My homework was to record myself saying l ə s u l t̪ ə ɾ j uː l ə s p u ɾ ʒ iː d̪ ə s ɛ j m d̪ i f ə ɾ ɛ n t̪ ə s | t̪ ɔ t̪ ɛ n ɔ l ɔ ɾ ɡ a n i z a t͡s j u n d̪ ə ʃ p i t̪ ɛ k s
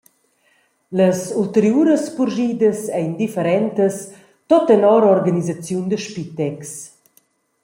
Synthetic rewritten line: l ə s u l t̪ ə ɾ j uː ɾ ə s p u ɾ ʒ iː d̪ ə s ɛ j n d̪ i f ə ɾ ɛ n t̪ ə s | t̪ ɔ t̪ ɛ n ɔ ɾ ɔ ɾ ɡ a n i z a t͡s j u n d̪ ə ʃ p i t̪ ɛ k s